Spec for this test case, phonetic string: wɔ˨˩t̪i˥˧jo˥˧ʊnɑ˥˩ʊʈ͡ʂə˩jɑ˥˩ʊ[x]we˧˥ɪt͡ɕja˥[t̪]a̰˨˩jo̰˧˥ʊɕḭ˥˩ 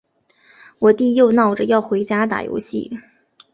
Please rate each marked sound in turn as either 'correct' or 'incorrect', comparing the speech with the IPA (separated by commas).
correct, correct